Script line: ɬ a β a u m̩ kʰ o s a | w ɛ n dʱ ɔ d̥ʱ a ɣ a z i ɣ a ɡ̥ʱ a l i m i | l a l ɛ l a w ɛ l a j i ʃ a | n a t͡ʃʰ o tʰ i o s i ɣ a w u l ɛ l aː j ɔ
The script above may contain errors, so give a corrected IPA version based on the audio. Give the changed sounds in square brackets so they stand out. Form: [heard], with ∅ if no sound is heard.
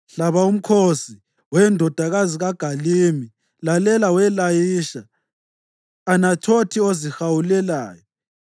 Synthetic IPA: ɬ a β a u m̩ kʰ o s [i] | w ɛ n dʱ ɔ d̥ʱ a ɣ a z i ɣ a ɡ̥ʱ a l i m i | l a l ɛ l a w ɛ l a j i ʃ a | n a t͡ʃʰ o tʰ i o [z] i [x] a w u l ɛ l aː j ɔ